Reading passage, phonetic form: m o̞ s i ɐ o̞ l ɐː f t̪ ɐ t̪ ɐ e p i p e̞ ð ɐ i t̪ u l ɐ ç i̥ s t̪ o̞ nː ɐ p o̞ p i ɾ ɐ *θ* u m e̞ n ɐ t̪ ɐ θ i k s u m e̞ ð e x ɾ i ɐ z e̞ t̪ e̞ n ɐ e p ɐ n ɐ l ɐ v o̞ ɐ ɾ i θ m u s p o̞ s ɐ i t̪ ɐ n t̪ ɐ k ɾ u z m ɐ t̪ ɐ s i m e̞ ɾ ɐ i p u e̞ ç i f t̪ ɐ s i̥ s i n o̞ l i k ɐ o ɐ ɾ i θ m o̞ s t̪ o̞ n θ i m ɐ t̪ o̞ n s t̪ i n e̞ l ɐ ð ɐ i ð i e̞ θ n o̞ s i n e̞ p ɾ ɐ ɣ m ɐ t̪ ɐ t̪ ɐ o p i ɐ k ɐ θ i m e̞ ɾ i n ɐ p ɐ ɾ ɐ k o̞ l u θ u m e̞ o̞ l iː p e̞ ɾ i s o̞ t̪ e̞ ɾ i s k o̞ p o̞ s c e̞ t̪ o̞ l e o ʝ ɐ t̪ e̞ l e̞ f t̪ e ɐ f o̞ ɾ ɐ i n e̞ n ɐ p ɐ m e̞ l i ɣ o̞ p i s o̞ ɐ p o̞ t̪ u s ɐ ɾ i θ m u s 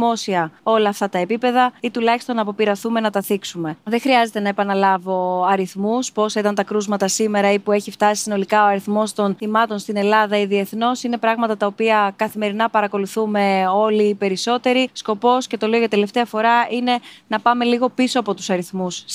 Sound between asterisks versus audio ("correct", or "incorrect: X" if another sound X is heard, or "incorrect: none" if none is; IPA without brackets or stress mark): correct